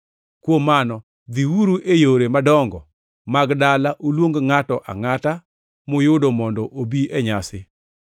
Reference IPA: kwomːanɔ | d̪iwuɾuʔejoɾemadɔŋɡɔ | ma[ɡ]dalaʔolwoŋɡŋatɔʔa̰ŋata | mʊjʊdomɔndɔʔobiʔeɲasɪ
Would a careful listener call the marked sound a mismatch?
no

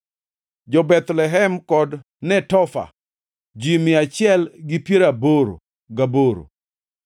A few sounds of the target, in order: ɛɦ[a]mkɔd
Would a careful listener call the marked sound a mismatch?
yes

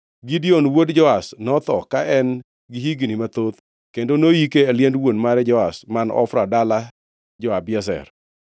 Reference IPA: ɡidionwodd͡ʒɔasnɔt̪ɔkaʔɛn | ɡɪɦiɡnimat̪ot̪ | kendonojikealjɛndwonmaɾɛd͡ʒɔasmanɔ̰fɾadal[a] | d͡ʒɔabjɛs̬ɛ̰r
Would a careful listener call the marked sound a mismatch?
no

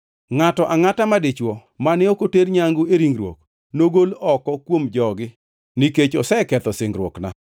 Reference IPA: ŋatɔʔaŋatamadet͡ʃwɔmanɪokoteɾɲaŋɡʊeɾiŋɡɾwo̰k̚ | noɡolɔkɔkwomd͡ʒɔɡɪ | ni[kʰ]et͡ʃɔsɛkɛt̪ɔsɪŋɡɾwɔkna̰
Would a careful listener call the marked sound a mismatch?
yes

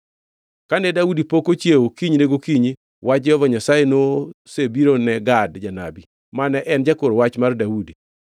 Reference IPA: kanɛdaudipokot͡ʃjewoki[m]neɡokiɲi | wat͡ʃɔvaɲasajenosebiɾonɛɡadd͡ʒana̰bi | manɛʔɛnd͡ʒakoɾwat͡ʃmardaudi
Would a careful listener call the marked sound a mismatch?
yes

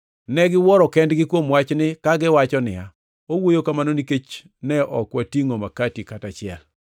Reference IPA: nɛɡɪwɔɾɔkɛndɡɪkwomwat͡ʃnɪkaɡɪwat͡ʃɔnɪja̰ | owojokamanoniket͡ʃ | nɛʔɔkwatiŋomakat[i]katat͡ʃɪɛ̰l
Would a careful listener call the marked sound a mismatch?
no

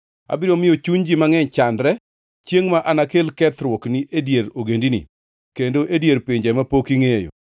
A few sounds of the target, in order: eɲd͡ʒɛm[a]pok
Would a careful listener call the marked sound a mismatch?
no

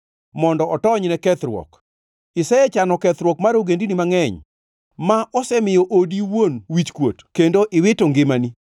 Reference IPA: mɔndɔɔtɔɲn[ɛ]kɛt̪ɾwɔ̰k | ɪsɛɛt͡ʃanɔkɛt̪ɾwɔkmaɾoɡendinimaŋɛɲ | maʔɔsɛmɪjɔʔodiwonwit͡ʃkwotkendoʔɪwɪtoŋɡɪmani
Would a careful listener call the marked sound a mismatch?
no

